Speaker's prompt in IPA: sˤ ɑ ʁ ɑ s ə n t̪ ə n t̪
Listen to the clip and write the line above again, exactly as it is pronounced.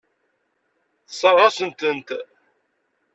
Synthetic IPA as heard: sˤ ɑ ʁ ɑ s ə n t̪ ə n t̪